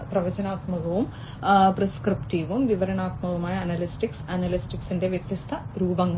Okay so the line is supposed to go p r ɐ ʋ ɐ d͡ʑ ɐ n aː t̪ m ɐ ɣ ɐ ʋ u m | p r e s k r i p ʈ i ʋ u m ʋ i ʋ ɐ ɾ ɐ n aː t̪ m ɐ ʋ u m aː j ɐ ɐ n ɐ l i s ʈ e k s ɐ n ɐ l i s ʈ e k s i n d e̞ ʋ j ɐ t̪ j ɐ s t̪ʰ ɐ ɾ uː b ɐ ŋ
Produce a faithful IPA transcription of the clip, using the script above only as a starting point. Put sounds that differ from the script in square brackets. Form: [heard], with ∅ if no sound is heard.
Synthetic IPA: p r ɐ ʋ ɐ d͡ʑ ɐ n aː t̪ m ɐ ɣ ɐ ʋ u m | p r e s k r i p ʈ i ʋ u m ʋ i ʋ ɐ ɾ ɐ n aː t̪ m ɐ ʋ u m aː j ɐ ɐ n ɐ l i s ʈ [i] k s ɐ n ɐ l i s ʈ [i] k s i n d e̞ ʋ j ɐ t̪ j ɐ s t̪ʰ ɐ ɾ uː b ɐ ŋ